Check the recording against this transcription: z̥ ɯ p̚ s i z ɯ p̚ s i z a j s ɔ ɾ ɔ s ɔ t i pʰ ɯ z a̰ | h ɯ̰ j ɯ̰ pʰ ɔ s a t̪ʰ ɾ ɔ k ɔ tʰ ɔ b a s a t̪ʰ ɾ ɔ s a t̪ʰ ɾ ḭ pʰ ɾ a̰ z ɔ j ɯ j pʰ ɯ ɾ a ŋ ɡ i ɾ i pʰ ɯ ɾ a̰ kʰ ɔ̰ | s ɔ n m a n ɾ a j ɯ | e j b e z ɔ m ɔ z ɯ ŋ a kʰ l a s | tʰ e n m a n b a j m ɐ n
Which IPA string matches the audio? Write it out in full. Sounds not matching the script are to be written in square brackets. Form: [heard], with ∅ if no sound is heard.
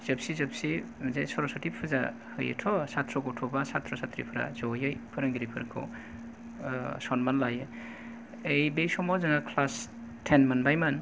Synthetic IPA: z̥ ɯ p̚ s i z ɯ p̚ s i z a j s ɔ ɾ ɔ s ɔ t i pʰ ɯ z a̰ | h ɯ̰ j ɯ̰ [tʰ] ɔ s a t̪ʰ ɾ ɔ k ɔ tʰ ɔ b a s a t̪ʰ ɾ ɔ s a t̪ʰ ɾ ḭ pʰ ɾ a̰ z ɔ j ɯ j pʰ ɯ ɾ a ŋ ɡ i ɾ i pʰ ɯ ɾ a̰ kʰ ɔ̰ | s ɔ n m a n [l] a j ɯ | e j b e [s] ɔ m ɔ z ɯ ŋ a kʰ l a s | tʰ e n m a n b a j m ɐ n